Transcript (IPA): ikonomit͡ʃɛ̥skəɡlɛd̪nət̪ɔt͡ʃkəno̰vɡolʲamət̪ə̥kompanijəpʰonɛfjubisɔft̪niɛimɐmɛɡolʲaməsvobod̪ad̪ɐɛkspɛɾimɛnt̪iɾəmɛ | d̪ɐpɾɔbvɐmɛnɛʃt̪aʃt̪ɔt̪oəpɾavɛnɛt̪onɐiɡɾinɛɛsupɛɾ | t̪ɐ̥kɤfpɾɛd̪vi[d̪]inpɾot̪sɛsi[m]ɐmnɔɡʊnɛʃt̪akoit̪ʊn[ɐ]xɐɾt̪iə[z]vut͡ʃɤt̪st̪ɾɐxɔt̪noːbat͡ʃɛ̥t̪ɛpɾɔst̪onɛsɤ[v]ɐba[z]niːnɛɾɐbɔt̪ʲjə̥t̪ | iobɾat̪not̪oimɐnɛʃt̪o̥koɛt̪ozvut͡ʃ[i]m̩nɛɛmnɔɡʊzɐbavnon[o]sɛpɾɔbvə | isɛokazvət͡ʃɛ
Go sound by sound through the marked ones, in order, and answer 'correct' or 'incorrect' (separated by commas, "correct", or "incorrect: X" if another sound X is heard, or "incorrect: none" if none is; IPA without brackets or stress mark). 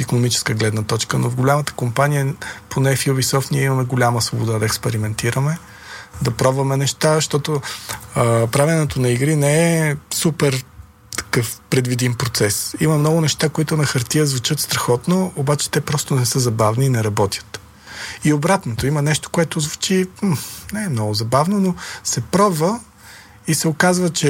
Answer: correct, correct, correct, correct, incorrect: z, incorrect: v, correct, correct